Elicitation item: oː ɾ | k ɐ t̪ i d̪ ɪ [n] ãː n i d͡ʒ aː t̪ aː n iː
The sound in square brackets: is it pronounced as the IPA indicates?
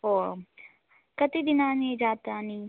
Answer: yes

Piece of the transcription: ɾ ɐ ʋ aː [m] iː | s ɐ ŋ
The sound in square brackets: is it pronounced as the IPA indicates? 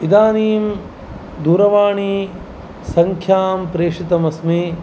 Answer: no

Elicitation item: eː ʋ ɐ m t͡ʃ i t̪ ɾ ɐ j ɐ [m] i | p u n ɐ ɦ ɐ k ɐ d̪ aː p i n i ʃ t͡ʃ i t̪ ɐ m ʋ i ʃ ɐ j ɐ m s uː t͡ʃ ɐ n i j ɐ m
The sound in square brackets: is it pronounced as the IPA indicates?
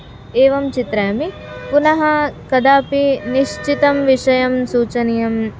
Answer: yes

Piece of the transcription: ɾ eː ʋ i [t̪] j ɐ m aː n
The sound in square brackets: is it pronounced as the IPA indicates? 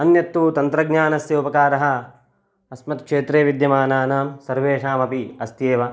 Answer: no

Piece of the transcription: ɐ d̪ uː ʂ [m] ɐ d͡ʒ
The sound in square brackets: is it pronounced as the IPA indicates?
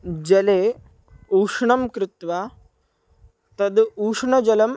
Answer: no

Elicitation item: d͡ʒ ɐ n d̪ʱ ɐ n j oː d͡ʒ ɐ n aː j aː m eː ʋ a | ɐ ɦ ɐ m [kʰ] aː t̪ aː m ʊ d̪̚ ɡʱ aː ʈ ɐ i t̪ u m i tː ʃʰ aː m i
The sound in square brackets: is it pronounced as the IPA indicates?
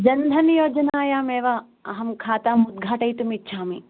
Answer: yes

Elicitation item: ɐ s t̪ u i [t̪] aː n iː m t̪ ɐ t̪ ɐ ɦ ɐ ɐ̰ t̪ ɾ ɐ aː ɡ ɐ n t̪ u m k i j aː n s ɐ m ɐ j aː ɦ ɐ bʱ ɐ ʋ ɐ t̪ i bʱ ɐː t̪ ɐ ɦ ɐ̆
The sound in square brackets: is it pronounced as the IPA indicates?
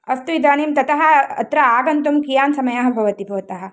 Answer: no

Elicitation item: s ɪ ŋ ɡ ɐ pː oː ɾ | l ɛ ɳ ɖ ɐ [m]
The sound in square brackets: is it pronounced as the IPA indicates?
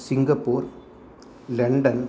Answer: no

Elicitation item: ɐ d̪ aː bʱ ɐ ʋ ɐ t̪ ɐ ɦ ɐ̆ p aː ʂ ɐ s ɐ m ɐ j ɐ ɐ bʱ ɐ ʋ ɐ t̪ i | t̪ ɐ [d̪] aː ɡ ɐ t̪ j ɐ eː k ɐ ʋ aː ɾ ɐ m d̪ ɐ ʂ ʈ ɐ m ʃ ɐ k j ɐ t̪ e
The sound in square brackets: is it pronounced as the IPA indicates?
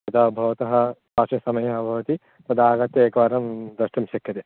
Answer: yes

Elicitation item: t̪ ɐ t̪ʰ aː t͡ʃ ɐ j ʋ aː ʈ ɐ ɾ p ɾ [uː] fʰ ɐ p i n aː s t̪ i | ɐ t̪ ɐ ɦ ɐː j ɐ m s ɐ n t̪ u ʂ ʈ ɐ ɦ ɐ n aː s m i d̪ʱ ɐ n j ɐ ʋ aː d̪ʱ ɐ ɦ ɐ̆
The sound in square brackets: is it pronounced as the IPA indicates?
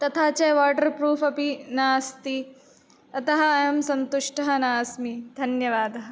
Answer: yes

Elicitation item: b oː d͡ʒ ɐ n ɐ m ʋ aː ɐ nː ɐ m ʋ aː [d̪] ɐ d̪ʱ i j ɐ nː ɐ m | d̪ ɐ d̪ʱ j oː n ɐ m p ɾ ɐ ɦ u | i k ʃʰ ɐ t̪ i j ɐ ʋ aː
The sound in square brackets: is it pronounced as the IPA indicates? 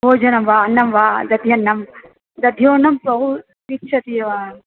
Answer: yes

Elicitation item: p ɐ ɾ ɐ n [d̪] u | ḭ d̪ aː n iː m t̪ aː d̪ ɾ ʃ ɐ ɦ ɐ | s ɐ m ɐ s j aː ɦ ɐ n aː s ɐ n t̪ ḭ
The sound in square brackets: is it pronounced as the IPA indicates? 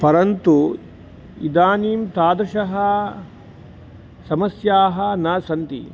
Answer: no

